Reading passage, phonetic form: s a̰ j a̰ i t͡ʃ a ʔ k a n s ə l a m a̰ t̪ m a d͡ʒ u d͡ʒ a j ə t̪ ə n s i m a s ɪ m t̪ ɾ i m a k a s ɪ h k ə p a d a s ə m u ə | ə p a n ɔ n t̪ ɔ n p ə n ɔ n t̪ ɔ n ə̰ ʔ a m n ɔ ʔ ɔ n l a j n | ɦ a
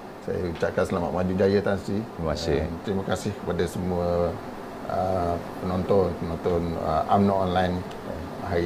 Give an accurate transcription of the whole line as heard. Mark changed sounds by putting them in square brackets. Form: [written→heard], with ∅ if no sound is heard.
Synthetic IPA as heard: s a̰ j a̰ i t͡ʃ a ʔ k a n s ə l a m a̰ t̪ m a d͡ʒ u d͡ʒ a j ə t̪ [ə→a] n s i m a s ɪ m t̪ ɾ i m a k a s ɪ h k ə p a d a s ə m u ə | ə p [a→ə] n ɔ n t̪ ɔ n p ə n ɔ n t̪ ɔ n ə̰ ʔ a m n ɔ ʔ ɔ n l a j n | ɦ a